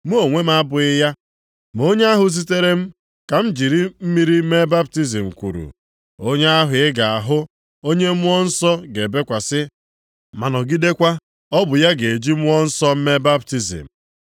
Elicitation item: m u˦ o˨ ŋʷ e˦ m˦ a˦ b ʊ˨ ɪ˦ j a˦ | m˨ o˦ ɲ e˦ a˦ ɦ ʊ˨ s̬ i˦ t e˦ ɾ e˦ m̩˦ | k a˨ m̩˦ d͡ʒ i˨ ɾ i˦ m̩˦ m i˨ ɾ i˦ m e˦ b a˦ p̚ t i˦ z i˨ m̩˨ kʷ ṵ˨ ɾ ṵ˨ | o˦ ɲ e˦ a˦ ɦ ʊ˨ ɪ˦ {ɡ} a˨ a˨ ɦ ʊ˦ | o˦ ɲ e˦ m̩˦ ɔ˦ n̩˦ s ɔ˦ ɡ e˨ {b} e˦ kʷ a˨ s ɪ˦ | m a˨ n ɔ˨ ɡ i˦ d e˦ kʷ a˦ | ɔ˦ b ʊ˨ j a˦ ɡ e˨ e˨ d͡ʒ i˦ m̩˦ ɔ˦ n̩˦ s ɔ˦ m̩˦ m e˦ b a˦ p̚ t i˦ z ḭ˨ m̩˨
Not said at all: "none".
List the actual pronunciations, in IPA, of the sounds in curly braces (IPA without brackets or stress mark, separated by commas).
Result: ɡ, b